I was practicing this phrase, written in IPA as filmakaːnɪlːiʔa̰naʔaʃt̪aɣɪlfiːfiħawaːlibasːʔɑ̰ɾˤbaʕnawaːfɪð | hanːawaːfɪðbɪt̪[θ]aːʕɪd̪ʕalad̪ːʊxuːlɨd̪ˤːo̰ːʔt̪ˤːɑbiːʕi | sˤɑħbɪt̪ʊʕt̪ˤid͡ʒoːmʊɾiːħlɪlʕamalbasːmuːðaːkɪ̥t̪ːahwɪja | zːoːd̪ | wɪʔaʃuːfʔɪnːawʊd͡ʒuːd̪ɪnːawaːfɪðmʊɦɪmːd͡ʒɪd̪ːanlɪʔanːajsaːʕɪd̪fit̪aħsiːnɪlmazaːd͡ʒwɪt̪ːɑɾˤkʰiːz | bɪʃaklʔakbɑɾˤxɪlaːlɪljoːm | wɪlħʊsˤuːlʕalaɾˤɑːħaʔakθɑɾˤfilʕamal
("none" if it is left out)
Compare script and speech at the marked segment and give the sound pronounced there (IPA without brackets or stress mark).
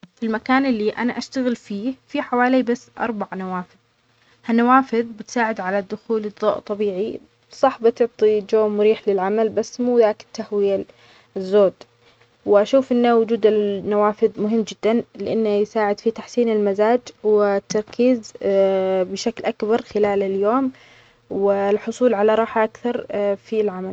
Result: s